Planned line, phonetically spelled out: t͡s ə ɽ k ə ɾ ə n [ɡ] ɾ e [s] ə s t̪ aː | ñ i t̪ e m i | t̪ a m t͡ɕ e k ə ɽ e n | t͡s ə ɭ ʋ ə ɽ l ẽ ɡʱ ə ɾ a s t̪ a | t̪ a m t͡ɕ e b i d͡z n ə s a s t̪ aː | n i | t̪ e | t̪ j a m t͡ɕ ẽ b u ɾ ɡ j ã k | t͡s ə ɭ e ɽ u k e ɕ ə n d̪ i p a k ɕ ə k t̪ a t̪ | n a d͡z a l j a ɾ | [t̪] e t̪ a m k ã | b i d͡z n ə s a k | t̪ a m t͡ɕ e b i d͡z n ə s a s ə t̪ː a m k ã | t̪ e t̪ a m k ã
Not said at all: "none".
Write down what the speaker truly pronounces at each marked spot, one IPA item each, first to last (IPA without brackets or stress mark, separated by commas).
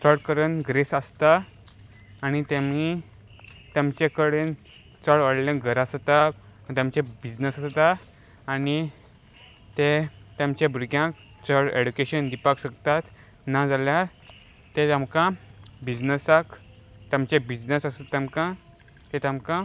ɡ, s, t̪